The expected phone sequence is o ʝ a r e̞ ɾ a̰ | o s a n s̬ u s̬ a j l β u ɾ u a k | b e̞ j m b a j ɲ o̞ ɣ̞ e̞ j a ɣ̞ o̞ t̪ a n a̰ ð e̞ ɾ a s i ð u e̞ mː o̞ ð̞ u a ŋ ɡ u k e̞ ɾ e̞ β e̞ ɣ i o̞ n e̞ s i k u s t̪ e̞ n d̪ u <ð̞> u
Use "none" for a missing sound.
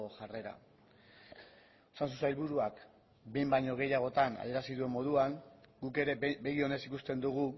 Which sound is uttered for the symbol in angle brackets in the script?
ɣ̞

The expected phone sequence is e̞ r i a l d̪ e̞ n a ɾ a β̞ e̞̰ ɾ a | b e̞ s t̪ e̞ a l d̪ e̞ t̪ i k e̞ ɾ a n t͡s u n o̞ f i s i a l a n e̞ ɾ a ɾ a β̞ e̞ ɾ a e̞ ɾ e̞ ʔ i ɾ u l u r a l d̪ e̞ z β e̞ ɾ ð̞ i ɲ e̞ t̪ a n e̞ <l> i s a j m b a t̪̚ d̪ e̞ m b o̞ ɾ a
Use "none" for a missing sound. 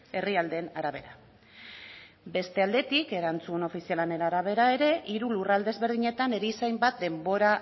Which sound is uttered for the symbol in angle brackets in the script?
ɾ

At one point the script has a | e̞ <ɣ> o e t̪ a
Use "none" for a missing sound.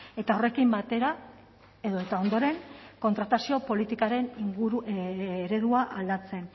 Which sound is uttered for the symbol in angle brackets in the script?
ð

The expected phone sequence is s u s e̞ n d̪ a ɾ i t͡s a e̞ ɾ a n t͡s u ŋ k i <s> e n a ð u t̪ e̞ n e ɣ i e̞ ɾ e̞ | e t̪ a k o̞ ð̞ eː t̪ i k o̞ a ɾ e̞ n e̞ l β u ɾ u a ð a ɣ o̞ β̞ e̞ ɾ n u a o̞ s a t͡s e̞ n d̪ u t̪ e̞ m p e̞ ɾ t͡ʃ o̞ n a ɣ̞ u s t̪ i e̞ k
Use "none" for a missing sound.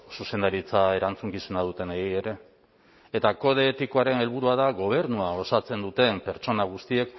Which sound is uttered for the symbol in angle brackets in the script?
s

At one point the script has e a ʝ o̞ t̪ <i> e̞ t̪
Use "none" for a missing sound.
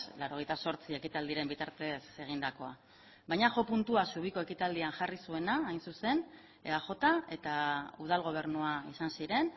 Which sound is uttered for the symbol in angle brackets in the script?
a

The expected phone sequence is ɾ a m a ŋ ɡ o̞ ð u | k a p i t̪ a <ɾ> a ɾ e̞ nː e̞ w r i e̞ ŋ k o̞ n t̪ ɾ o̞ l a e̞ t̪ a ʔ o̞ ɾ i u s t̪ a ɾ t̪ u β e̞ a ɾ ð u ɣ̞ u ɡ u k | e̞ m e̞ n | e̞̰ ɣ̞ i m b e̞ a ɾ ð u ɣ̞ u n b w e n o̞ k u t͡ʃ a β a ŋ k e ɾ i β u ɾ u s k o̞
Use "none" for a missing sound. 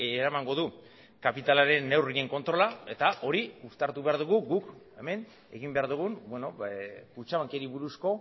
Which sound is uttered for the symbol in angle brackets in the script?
l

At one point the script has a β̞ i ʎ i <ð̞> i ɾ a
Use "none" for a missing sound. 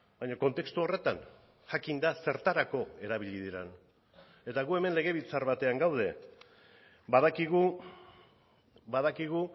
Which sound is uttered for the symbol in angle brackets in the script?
ð̞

